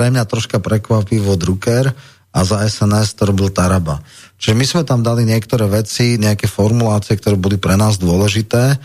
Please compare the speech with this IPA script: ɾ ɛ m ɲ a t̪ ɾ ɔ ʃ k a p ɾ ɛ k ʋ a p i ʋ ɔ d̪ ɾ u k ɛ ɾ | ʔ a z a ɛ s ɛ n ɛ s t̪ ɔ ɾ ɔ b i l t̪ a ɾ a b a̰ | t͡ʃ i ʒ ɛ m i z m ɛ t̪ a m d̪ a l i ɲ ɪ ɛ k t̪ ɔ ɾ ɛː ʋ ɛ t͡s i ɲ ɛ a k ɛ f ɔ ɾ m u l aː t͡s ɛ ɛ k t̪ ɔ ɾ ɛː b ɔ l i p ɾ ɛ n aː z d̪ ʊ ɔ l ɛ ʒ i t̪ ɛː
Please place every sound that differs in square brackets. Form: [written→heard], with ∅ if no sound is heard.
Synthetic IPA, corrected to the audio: ɾ ɛ m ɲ a t̪ ɾ ɔ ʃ k a p ɾ ɛ k ʋ a p i ʋ ɔ d̪ ɾ u k ɛ ɾ | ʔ a z a ɛ s ɛ n ɛ s t̪ ɔ ɾ ɔ b i l t̪ a ɾ a b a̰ | t͡ʃ i ʒ ɛ m i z m ɛ t̪ a m d̪ a l i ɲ ɪ ɛ k t̪ ɔ ɾ ɛː ʋ ɛ t͡s i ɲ ɛ a k ɛ f ɔ ɾ m u l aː t͡s [ɛ→i] ɛ k t̪ ɔ ɾ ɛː b ɔ l i p ɾ ɛ n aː z d̪ ʊ ɔ l ɛ ʒ i t̪ ɛː